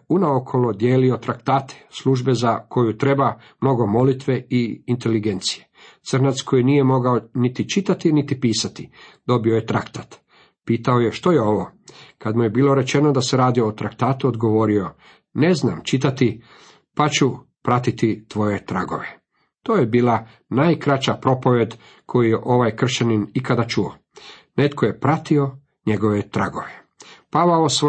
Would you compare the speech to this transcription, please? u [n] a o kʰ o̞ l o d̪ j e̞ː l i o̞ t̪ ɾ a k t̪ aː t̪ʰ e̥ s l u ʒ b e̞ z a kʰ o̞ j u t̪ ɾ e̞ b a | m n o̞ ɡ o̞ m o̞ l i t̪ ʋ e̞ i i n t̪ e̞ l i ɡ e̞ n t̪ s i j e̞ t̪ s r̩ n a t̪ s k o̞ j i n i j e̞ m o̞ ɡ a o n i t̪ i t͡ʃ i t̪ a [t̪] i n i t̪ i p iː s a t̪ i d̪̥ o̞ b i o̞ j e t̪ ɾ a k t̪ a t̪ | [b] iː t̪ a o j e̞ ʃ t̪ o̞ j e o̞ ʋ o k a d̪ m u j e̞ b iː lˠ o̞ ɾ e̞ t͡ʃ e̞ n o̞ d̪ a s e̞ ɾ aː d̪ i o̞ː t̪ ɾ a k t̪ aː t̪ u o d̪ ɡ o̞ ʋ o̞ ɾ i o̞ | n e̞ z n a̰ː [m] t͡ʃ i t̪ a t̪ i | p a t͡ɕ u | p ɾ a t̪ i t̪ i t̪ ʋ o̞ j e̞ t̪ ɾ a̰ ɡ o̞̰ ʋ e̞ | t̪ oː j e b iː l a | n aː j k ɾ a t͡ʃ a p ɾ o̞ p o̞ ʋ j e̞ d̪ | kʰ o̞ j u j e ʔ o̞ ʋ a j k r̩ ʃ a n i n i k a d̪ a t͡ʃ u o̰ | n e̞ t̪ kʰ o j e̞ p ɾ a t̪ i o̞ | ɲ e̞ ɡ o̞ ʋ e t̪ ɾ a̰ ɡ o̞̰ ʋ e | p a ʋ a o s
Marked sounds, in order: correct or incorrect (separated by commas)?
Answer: correct, correct, incorrect, correct